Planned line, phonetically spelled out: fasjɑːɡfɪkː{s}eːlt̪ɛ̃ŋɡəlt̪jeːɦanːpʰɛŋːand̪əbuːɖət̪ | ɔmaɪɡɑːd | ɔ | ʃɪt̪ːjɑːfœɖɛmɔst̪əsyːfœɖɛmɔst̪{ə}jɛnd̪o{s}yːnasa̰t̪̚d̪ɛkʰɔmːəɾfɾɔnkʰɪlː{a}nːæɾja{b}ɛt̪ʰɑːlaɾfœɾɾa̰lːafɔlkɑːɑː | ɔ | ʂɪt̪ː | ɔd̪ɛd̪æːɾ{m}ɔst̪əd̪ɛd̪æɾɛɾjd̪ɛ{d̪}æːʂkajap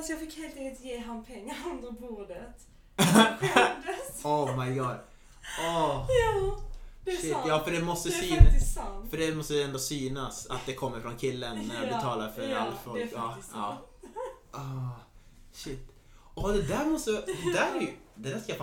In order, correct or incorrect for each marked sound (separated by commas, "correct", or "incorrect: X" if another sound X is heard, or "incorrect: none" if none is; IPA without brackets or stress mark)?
incorrect: h, correct, correct, incorrect: ə, correct, correct, correct